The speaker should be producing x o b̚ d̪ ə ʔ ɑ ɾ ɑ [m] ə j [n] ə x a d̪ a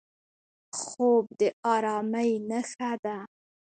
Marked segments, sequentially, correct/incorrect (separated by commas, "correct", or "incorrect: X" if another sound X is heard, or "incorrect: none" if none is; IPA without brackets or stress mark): correct, correct